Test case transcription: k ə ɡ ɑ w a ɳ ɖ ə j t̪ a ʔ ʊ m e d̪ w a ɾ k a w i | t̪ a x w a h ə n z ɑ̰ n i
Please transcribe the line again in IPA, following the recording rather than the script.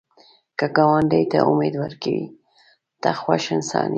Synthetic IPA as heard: k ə ɡ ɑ w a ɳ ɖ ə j t̪ a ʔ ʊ m e d̪ w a ɾ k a w i | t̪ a x w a ʃ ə n s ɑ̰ n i